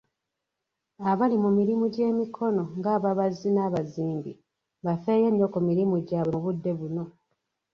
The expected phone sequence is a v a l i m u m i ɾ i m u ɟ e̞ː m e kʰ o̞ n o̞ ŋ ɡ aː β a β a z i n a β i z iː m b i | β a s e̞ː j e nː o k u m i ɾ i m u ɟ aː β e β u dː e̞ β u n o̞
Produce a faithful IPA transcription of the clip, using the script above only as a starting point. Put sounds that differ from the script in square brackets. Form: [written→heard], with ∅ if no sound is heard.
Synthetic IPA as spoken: a [v→β] a l i m u m i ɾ i m u ɟ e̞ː m [e→i] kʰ o̞ n o̞ ŋ ɡ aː β a β a z i n a β [i→a] z iː m b i | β a [s→f] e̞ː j e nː o k u m i ɾ i m u ɟ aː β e β u dː e̞ β u n o̞